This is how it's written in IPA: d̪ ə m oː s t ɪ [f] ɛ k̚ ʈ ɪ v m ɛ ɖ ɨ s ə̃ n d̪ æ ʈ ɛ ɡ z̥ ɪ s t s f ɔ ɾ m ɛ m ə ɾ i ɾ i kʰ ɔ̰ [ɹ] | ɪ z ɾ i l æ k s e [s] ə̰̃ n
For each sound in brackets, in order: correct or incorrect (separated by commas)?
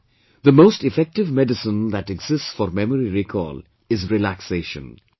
correct, incorrect, incorrect